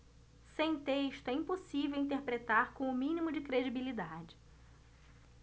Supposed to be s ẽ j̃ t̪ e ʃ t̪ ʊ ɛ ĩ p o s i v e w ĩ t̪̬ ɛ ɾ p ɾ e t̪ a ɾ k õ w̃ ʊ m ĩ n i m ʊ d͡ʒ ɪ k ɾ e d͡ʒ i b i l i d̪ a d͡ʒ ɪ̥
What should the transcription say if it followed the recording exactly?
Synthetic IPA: s ẽ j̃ t̪ e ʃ t̪ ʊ ɛ ĩ p o s i v e w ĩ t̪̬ e ɾ p ɾ e t̪ a ɾ k õ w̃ ʊ m ĩ n i m ʊ d͡ʒ ɪ k ɾ e d͡ʒ i b i l i d̪ a d͡ʒ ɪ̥